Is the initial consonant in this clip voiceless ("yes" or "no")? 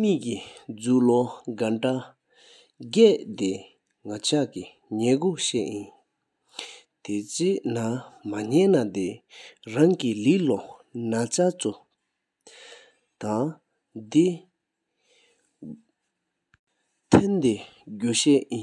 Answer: no